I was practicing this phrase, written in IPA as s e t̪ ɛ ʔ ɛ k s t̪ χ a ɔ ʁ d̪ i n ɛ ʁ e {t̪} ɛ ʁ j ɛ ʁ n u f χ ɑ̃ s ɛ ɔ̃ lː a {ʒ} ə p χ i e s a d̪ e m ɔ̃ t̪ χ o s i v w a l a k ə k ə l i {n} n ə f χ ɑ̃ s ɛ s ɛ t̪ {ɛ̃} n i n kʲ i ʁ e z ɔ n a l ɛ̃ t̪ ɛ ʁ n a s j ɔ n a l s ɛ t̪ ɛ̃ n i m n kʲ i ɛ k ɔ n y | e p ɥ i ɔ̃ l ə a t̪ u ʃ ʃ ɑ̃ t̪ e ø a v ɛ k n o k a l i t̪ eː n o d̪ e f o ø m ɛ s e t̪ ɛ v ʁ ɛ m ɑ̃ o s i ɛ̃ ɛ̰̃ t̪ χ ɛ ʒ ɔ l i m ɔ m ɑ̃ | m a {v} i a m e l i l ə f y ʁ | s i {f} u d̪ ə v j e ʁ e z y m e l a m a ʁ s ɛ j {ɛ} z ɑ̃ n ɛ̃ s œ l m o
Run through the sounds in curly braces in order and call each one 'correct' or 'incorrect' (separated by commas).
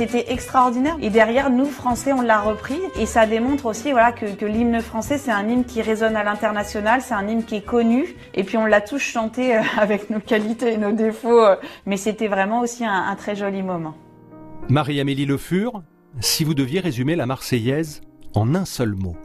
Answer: incorrect, incorrect, incorrect, correct, incorrect, incorrect, correct